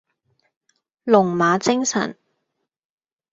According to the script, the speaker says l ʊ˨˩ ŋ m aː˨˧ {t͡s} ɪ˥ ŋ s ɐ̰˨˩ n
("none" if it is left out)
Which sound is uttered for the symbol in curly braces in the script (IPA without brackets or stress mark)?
t͡s